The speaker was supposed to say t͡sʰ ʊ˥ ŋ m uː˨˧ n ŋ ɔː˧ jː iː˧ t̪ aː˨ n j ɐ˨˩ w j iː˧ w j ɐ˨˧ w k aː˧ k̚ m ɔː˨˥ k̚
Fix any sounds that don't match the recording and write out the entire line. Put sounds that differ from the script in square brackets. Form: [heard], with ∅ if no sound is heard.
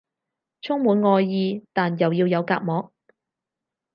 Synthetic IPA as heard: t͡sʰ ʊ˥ ŋ m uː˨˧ n ŋ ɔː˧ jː iː˧ t̪ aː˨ n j ɐ˨˩ w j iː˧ w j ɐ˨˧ w k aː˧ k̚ m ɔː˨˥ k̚